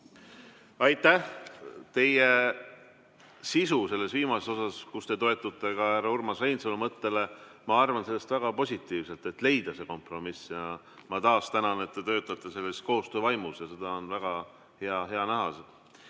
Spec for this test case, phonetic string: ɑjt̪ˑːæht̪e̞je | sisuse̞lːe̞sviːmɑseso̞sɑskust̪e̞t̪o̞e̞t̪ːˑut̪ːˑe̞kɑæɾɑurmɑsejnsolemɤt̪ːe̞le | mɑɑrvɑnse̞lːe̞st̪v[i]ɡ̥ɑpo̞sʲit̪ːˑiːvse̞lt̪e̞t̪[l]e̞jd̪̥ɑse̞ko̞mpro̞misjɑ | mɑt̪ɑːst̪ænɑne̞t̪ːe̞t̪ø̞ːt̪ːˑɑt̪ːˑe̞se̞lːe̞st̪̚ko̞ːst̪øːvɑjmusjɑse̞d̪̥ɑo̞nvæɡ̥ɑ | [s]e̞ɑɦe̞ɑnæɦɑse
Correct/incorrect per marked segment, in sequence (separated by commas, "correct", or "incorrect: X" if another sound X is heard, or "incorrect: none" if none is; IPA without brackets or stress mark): incorrect: æ, correct, incorrect: h